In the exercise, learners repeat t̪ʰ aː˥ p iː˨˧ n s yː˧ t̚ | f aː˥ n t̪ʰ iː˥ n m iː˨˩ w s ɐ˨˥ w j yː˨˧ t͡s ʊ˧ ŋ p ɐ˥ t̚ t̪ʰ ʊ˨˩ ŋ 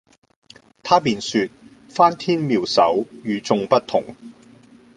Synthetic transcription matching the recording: t̪ʰ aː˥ p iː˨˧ n s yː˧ t̚ | f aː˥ n t̪ʰ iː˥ n m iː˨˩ w s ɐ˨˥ w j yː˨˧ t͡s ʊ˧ ŋ p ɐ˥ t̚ t̪ʰ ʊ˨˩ ŋ

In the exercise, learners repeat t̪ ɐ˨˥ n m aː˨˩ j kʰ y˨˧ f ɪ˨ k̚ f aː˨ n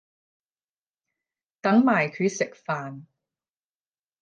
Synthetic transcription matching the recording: t̪ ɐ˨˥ ŋ m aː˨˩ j kʰ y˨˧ s ɪ˨ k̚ f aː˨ n

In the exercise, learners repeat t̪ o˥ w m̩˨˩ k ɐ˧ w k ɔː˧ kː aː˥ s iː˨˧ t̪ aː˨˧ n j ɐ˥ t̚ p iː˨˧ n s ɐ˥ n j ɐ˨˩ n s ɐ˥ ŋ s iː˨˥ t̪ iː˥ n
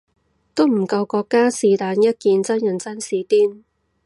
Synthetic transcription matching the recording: t̪ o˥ w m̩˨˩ k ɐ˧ w k ɔː˧ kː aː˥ s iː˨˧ t̪ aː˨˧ n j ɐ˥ t̚ k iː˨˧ n t͡s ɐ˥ n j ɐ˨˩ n t͡s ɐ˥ n s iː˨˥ t̪ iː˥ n

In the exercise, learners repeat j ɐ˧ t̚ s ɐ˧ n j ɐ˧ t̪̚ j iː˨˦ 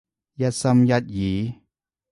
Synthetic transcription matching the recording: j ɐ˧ t̚ s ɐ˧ m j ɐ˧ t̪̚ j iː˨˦

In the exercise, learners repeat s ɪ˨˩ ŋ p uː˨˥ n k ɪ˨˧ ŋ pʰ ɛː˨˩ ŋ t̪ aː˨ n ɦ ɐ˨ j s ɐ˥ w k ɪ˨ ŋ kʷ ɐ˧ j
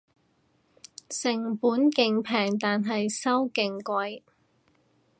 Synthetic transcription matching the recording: s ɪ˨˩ ŋ p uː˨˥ n k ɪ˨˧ ŋ pʰ ɛː˨˩ ŋ t̪ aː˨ n ɦ ɐ˨ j s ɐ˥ w k ɪ˨ ŋ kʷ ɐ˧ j

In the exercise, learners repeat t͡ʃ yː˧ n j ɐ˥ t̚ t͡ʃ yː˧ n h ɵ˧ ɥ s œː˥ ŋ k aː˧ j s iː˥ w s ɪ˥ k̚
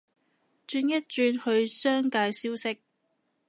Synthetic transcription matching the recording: t͡ʃ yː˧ n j ɐ˥ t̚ t͡ʃ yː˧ n h ɵ˧ ɥ s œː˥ ŋ k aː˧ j s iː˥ w s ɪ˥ k̚

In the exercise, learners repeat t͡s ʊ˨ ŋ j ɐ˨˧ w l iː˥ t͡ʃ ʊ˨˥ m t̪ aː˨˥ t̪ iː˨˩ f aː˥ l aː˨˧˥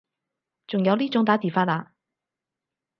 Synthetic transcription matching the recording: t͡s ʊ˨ ŋ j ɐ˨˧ w l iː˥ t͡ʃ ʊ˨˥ ŋ t̪ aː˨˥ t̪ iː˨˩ f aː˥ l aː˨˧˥

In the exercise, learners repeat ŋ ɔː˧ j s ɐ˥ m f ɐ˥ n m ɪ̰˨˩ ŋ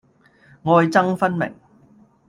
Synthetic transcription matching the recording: ŋ ɔː˧ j t͡s ɐ˥ ŋ f ɐ˥ n m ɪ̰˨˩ ŋ

